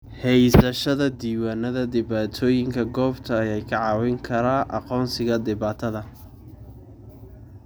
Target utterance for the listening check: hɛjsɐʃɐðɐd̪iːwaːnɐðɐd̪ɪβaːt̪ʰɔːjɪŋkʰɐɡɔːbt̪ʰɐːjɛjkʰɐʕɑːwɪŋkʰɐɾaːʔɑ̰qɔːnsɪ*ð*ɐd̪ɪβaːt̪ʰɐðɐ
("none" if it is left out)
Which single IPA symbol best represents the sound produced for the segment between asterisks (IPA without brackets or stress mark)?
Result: ɣ